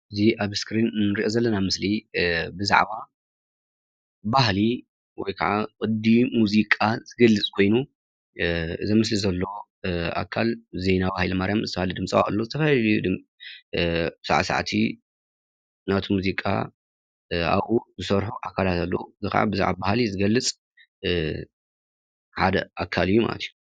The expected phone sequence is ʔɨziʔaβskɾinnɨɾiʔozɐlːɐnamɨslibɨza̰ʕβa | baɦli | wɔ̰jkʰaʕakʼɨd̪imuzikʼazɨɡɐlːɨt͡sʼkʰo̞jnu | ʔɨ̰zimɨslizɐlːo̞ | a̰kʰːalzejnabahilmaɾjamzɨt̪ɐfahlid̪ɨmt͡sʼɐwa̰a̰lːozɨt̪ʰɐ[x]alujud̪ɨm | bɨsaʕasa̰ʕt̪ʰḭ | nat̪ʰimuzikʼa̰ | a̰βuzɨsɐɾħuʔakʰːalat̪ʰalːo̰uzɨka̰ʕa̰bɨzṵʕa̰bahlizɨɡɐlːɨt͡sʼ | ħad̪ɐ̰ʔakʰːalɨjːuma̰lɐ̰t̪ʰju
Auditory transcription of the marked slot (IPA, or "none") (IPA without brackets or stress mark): f